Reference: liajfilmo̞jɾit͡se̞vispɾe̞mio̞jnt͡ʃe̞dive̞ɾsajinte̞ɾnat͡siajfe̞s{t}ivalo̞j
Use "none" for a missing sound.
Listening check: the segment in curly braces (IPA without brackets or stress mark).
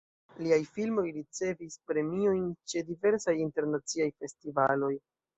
t